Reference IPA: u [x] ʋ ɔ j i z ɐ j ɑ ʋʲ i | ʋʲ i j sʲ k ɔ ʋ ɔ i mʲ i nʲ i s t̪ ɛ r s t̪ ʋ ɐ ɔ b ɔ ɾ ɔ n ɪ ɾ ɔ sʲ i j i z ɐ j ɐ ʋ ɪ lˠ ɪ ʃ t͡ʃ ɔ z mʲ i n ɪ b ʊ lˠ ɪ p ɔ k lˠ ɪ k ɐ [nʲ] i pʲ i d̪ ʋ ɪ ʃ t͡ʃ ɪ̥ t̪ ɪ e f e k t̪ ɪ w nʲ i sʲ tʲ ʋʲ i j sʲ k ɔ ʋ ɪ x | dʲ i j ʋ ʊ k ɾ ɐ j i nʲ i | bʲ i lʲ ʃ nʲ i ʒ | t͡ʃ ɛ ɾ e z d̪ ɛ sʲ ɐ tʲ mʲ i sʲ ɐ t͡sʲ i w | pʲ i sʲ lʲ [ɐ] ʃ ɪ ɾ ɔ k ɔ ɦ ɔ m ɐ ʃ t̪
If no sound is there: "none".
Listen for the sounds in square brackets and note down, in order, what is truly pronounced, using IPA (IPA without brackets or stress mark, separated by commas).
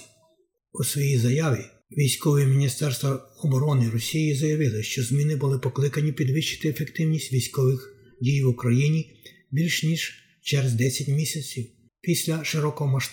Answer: s, nʲ, ɐ